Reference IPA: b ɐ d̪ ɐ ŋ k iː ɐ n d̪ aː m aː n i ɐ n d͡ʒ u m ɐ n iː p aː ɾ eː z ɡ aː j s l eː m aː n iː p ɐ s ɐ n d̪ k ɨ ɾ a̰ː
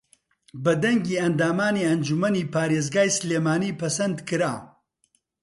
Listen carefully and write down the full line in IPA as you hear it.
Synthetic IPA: b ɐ d̪ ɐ ŋ ɡ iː ɐ n d̪ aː m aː n i ɐ n d͡ʒ u m ɐ n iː p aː ɾ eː z ɡ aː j s l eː m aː n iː p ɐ s ɐ n d̪ k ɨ ɾ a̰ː